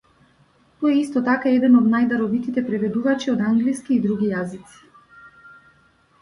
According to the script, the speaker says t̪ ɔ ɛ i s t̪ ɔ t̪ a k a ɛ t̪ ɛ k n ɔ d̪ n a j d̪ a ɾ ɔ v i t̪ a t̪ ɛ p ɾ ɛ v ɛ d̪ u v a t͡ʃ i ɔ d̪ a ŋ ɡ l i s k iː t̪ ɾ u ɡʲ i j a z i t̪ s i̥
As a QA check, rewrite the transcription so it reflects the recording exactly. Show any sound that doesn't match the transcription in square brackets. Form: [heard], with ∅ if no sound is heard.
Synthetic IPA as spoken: t̪ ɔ ɛ i s t̪ ɔ t̪ a k a ɛ [d̪] ɛ [∅] n ɔ d̪ n a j d̪ a ɾ ɔ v i t̪ [i] t̪ ɛ p ɾ ɛ v ɛ d̪ u v a t͡ʃ i ɔ d̪ a ŋ ɡ l i s k iː [d̪] ɾ u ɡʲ i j a z i t̪ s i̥